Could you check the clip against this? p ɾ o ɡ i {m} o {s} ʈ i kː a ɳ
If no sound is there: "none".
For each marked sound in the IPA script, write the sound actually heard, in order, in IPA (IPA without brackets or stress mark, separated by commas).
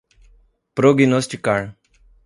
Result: n, s